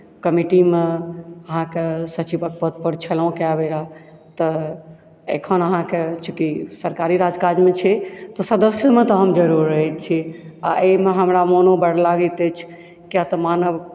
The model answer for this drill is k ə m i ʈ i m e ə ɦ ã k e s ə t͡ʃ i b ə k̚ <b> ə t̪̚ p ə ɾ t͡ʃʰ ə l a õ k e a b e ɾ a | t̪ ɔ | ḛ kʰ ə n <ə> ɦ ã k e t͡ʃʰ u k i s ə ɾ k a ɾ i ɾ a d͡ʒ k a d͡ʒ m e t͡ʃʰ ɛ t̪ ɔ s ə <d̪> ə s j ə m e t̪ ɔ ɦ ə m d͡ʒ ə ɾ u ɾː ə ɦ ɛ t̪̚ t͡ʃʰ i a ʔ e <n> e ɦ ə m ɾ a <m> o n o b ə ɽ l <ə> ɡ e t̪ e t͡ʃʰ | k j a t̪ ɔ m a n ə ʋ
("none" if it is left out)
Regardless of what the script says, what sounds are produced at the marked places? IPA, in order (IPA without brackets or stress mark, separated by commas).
p, ə, d̪, m, m, a